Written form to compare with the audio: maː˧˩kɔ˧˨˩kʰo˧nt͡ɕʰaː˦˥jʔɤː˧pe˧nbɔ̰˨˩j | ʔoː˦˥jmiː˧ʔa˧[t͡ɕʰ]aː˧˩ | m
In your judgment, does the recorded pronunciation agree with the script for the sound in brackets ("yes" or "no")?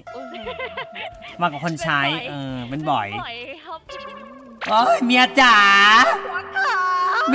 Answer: no